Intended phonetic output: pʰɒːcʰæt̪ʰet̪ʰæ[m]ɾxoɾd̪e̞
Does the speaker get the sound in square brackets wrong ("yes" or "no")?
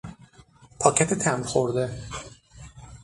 no